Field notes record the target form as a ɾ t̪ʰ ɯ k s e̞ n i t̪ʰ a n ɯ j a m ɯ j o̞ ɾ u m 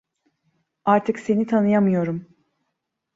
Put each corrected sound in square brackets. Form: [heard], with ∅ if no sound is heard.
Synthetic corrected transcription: a ɾ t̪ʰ ɯ k s e̞ n i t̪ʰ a n ɯ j a m ɯ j o̞ ɾ u m